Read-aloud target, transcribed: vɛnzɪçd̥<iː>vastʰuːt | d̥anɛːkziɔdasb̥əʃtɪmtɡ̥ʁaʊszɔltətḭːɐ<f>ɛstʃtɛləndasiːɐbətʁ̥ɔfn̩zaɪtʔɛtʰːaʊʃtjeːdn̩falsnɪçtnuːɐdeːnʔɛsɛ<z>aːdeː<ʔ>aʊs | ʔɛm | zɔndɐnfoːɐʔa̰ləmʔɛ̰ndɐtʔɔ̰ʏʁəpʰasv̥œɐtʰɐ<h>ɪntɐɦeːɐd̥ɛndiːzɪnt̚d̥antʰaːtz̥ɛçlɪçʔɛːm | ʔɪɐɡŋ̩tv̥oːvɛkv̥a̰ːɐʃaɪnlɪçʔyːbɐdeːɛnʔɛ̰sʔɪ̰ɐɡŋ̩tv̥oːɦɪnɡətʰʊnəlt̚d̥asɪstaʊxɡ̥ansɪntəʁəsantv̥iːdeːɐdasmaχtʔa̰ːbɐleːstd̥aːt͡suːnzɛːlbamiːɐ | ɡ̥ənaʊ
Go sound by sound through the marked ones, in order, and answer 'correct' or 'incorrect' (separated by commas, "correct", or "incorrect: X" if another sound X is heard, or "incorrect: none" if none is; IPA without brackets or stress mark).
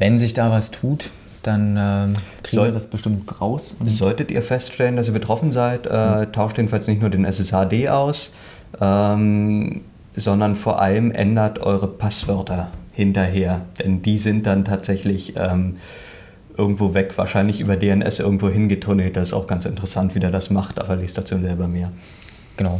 incorrect: aː, correct, incorrect: s, correct, correct